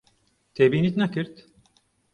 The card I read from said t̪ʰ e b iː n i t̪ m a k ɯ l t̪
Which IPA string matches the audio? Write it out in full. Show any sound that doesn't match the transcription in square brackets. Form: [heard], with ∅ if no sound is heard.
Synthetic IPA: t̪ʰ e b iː n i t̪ [n] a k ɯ [ɾ] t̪